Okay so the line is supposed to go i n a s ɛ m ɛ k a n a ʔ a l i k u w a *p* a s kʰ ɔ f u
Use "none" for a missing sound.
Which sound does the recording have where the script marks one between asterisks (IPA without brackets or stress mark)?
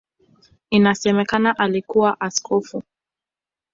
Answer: ʔ